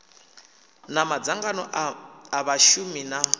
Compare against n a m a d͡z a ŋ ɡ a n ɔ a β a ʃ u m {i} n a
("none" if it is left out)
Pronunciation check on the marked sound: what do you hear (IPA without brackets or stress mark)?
i